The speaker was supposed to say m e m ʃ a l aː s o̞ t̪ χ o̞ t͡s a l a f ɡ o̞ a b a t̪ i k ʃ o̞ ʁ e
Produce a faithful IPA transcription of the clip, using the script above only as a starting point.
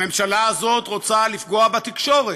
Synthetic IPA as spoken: m e m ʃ a l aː z o̞ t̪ ʁ o̞ t͡s a l i f ɡ o̞ a b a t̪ i k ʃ o̞ ʁ e